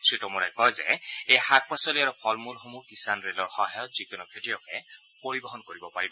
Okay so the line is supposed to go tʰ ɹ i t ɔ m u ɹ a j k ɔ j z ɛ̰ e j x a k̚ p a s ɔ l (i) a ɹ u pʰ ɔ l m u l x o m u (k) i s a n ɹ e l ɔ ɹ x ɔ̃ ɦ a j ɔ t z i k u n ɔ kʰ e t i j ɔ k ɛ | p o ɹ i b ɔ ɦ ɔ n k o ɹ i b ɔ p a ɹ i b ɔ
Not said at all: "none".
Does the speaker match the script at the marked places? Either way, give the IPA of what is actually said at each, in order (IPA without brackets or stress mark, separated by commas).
i, k